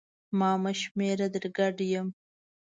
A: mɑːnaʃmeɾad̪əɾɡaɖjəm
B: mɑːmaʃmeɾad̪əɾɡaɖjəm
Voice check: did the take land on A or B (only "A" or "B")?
B